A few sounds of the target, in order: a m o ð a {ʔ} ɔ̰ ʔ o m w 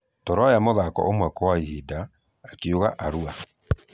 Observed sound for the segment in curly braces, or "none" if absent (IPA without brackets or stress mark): k